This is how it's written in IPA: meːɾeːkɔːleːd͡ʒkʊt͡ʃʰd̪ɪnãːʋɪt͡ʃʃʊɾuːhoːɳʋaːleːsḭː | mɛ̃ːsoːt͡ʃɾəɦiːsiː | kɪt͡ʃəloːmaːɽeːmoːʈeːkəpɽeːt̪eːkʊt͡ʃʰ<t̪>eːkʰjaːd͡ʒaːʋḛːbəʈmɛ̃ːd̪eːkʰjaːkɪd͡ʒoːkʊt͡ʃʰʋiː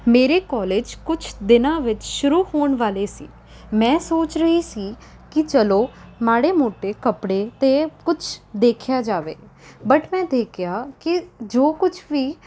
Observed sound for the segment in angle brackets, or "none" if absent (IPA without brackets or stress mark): d̪